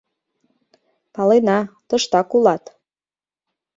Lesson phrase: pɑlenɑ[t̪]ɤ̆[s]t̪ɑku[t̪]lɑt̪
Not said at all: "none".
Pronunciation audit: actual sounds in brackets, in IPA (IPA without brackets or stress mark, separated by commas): t̪, ʃ, none